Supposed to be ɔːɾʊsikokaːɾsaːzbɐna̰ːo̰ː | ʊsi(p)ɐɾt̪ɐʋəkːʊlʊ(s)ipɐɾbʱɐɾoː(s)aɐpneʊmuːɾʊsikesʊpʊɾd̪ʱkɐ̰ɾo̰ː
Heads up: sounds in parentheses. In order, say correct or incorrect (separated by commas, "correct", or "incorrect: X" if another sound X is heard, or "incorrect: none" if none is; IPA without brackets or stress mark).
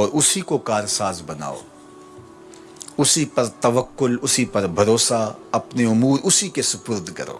correct, correct, correct